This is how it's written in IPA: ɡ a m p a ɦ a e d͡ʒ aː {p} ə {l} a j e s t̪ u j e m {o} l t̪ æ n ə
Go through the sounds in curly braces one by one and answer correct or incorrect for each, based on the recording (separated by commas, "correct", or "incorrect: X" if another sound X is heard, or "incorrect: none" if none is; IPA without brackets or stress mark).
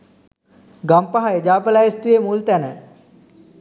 correct, correct, incorrect: u